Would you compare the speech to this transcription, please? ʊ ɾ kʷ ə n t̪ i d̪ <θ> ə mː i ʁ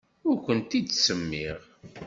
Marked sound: incorrect: s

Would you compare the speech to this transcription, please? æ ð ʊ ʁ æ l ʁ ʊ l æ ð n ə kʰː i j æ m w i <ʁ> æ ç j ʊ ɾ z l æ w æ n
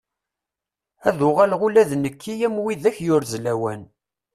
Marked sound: incorrect: ð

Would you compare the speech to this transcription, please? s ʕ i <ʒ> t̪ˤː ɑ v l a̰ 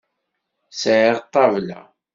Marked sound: incorrect: ʁ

